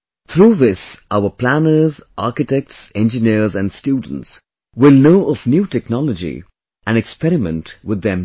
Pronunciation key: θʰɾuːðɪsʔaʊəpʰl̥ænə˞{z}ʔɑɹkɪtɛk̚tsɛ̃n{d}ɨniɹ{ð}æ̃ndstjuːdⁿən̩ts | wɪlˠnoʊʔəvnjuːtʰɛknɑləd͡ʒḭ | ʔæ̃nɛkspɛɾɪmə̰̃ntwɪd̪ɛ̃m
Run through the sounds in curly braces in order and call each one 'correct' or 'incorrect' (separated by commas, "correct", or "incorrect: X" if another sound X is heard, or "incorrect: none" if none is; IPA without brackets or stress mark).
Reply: correct, incorrect: d͡ʒ, incorrect: z